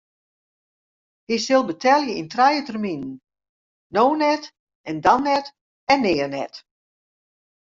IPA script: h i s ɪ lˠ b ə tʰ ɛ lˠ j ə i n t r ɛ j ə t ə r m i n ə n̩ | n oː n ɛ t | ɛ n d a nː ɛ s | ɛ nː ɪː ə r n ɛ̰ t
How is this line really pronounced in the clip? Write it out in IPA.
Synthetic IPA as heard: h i s ɪ lˠ b ə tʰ ɛ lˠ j ə i n t r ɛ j ə t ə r m i n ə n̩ | n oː n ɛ t | ɛ n d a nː ɛ t | ɛ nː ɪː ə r n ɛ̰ t